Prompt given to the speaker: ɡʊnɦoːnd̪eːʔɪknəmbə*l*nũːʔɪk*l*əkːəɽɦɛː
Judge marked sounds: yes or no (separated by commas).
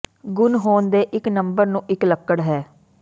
no, yes